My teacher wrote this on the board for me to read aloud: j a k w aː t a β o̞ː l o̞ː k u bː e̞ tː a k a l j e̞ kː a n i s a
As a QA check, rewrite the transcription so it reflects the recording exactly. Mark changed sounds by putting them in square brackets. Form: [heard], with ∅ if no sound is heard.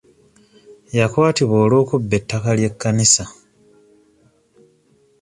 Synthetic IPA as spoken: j a k w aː t [i] β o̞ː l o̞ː k u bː e̞ tː a k a l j e̞ kː a n i s a